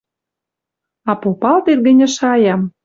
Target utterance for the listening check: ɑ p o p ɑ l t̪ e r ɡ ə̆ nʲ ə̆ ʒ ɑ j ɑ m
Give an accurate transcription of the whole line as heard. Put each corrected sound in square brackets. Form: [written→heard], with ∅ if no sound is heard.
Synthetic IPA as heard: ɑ p o p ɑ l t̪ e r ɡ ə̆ nʲ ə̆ [ʒ→ʃ] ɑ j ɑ m

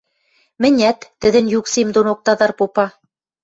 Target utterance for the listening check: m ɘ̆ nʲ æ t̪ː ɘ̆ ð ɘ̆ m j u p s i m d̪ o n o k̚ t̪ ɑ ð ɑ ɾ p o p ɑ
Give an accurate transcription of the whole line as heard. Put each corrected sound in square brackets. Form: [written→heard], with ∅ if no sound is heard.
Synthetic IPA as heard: m ɘ̆ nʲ æ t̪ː ɘ̆ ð ɘ̆ [m→n] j u [p→k] s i m d̪ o n o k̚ t̪ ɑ ð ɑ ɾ p o p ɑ

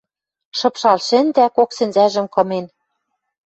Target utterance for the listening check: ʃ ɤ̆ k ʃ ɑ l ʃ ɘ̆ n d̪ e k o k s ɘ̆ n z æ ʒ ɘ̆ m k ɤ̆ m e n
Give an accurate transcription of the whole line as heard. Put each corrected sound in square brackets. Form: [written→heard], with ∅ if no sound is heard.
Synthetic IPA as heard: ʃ ɤ̆ [k→p] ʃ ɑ l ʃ ɘ̆ n d̪ [e→æ] k o k s ɘ̆ n z æ ʒ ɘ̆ m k ɤ̆ m e n

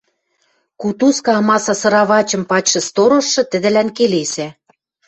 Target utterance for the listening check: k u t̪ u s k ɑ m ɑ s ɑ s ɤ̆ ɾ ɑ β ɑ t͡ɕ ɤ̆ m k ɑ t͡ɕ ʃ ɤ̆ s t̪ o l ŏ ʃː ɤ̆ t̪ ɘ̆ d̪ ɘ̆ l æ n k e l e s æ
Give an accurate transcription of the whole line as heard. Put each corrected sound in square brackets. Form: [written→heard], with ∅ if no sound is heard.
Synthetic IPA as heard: k u t̪ u s k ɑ m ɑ s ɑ s ɤ̆ ɾ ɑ β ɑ t͡ɕ ɤ̆ m [k→p] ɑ t͡ɕ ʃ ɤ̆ s t̪ o [l→ɾ] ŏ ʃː ɤ̆ t̪ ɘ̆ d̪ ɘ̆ l æ n k e l e s æ

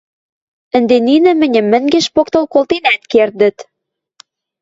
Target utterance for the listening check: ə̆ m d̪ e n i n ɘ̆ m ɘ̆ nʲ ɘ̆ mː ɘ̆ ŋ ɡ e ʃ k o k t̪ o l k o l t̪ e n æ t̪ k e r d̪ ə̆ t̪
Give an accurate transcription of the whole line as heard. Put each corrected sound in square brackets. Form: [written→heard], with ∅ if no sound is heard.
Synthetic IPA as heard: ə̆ [m→n] d̪ e n i n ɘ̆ m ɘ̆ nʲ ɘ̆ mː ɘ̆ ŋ ɡ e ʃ [k→p] o k t̪ o l k o l t̪ e n æ t̪ k e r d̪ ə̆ t̪

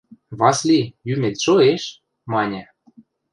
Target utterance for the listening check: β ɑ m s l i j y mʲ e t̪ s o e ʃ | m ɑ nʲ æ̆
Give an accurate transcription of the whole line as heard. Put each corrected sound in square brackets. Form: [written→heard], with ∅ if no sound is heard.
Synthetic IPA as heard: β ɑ [m→∅] s l i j y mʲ e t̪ [s→ʃ] o e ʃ | m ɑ nʲ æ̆

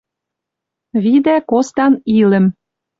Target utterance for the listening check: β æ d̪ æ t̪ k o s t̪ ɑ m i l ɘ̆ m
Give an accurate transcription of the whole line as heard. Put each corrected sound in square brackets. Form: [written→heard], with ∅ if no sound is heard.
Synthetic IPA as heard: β [æ→i] d̪ æ [t̪→∅] k o s t̪ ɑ [m→n] i l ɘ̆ m

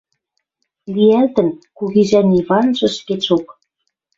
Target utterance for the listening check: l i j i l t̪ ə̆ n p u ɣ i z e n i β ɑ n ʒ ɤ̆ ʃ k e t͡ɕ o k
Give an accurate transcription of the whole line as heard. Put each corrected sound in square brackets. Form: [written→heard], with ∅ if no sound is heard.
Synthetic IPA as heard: l i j [i→æ] l t̪ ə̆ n [p→k] u ɣ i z [e→æ] n i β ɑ n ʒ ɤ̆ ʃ k e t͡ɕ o k

